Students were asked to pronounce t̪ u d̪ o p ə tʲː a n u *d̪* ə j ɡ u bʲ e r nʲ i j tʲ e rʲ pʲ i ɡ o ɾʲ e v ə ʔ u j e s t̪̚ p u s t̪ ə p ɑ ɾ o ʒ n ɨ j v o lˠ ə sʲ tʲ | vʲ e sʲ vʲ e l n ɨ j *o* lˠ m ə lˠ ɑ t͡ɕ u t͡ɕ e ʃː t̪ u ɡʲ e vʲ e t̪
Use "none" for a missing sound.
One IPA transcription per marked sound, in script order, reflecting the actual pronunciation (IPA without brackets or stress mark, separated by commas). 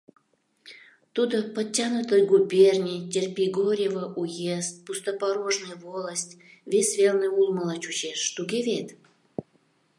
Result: t̪, u